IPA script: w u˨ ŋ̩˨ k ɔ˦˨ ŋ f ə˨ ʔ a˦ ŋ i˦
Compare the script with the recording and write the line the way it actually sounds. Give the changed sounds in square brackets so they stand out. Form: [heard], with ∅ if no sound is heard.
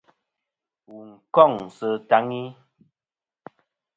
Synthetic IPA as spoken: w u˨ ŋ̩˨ k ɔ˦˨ ŋ [s] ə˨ [t] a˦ ŋ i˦